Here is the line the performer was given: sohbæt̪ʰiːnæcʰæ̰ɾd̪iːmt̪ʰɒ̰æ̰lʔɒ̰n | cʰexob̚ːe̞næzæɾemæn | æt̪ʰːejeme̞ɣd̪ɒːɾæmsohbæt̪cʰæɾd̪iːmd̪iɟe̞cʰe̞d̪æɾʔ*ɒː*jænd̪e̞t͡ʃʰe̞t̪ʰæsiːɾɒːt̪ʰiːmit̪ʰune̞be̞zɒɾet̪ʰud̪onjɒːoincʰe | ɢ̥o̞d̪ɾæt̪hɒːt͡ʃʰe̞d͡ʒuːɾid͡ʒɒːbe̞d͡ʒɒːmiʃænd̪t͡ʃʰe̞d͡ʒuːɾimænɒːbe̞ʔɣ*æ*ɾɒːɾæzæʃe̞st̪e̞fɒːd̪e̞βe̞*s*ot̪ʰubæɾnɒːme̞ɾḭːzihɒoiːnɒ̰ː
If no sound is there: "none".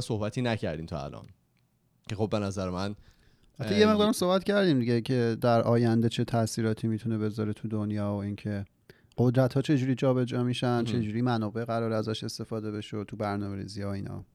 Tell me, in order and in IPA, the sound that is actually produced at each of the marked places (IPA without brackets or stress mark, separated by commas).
ɒː, æ, ʃ